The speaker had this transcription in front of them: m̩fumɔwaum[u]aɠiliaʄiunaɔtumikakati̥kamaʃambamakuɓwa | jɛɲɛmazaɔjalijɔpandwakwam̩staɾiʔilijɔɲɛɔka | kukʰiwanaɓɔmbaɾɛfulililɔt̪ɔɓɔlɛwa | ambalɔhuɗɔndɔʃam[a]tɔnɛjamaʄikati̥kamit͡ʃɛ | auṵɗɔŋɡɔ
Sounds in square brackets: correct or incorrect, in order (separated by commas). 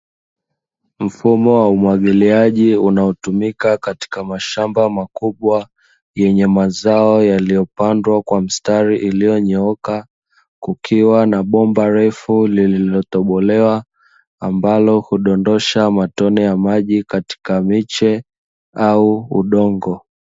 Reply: incorrect, correct